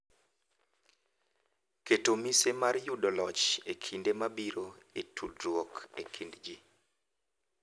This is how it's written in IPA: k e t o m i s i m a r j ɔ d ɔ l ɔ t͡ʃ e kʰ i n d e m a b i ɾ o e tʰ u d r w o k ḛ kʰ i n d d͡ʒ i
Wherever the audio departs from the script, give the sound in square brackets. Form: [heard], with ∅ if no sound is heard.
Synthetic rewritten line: k e t o m i s [e] m a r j [u] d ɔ l ɔ t͡ʃ e kʰ i n d e m a b i ɾ o e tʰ u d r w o k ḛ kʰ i n d d͡ʒ i